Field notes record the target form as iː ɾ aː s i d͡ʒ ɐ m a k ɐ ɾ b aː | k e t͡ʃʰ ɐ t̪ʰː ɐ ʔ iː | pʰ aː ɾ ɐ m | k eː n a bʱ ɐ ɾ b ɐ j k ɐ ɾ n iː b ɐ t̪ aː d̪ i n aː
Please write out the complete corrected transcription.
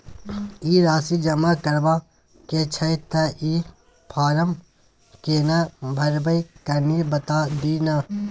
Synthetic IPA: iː ɾ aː s i d͡ʒ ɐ m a k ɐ ɾ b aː | k e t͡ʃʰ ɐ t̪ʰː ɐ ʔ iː | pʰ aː ɾ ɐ m | k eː n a bʱ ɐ ɾ b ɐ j k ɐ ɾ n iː b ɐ t̪ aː d̪ i n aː

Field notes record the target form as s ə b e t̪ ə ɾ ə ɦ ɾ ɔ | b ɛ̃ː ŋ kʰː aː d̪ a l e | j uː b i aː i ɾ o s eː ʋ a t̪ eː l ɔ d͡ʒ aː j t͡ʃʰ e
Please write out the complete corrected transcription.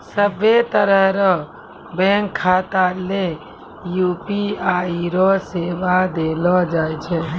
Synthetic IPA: s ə b e t̪ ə ɾ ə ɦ ɾ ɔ | b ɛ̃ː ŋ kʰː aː t̪ a l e | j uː p i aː i ɾ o s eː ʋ a d̪ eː l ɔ d͡ʒ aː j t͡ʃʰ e

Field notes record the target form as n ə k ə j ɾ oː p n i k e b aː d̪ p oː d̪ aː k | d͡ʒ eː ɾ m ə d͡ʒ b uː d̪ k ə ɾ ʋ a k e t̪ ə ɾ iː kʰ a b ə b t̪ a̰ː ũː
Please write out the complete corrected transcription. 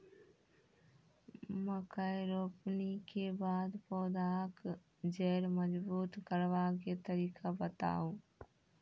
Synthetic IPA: m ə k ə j ɾ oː p n i k e b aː d̪ p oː d̪ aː k | d͡ʒ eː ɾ m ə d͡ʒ b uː t̪ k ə ɾ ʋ a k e t̪ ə ɾ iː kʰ a b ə t̪ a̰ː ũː

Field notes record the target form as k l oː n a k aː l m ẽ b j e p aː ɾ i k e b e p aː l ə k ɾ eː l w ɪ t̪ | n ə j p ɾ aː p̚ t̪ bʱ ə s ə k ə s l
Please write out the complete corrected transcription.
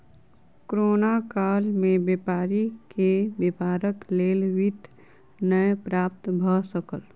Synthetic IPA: k ɾ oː n a k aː l m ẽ b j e p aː ɾ i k e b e p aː ɾ ə k l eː l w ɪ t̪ | n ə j p ɾ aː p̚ t̪ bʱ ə s ə k ə l

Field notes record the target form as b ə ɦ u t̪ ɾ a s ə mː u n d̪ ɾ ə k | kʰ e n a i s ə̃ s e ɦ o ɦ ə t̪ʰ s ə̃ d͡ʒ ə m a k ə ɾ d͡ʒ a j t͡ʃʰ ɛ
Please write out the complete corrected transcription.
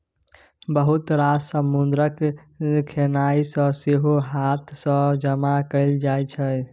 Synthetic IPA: b ə ɦ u t̪ ɾ a s ə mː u n d̪ ɾ ə k | kʰ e n a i s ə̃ s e ɦ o ɦ a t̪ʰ s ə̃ d͡ʒ ə m a k ə l d͡ʒ a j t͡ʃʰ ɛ

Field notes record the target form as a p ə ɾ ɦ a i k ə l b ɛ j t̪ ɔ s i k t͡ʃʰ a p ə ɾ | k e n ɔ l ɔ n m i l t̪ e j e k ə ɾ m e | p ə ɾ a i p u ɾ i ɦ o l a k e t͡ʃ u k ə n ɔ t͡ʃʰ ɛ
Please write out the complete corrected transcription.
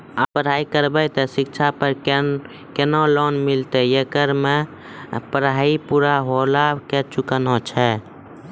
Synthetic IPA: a p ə ɾ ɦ a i k ə ɾ b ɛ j t̪ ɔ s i k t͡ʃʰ a p ə ɾ | k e n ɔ l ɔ n m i l t̪ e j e k ə ɾ m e | p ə ɾ a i p u ɾ a ɦ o l a k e t͡ʃ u k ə n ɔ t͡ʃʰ ɛ

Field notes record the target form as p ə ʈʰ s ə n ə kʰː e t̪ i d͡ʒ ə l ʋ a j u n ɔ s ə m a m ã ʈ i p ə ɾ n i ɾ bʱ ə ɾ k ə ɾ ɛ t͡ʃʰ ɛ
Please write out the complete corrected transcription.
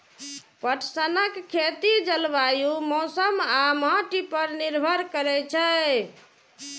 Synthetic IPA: p ə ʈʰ s ə n ə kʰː e t̪ i d͡ʒ ə l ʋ a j u m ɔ s ə m a m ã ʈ i p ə ɾ n i ɾ bʱ ə ɾ k ə ɾ ɛ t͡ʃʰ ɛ

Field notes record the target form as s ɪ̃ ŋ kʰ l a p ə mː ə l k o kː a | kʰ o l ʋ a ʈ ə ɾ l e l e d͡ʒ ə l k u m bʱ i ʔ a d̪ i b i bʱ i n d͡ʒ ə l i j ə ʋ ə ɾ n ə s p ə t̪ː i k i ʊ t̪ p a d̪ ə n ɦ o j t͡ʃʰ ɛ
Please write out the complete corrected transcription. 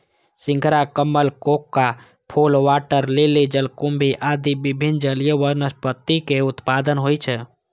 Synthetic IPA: s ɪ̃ ŋ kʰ ɾ a k ə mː ə l k o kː a | pʰ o l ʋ a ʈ ə ɾ l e l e d͡ʒ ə l k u m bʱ i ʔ a d̪ i b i bʱ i n d͡ʒ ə l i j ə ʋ ə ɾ n ə s p ə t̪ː i k e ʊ t̪ p a d̪ ə n ɦ o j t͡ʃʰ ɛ

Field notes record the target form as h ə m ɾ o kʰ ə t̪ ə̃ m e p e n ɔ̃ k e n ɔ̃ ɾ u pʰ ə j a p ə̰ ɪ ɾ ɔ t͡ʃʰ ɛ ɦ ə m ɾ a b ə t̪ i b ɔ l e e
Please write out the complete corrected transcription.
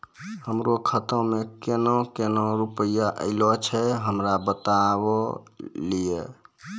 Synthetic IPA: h ə m ɾ o kʰ ə t̪ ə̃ m e k e n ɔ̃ k e n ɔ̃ ɾ u p ə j a ʔ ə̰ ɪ l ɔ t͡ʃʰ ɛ ɦ ə m ɾ a b ə t̪ a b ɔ l i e

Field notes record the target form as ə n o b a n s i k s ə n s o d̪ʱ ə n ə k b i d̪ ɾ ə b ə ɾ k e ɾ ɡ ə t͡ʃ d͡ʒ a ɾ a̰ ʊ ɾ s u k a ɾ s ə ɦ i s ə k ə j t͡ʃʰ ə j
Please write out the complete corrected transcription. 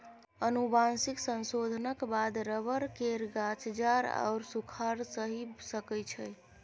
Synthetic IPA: ə n u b a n s i k s ə n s o d̪ʱ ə n ə k b a d̪ ɾ ə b ə ɾ k e ɾ ɡ a t͡ʃ d͡ʒ a ɾ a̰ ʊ ɾ s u kʰ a ɾ s ə ɦ i s ə k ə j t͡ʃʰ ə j

